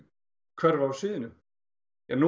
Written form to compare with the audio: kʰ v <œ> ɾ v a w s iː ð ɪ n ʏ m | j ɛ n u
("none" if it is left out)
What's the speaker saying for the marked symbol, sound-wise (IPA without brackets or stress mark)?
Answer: œ